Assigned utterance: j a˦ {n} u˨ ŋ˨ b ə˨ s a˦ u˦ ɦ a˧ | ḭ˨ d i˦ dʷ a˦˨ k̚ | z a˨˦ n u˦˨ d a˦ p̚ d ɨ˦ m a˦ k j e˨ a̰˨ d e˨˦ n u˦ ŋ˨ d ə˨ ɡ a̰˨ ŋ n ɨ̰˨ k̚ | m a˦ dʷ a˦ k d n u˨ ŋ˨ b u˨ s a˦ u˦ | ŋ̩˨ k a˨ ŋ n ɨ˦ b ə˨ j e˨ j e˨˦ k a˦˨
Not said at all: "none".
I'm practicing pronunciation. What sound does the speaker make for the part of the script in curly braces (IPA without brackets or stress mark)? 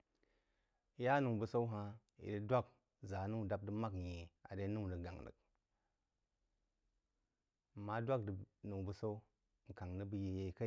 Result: n